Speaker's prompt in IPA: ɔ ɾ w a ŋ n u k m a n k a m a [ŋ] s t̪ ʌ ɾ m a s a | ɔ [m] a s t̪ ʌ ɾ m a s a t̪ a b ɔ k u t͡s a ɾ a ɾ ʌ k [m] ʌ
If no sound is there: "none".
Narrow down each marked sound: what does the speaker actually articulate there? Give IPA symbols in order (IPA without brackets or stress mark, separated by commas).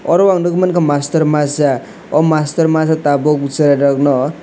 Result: none, m, n